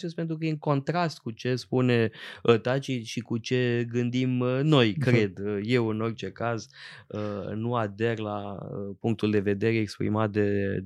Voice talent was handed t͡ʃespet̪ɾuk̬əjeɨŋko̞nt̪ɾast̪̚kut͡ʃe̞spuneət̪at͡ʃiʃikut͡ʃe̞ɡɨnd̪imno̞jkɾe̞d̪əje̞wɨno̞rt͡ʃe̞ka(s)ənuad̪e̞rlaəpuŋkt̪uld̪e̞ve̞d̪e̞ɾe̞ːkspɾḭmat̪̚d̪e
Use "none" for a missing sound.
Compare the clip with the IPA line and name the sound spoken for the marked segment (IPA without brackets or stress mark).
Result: z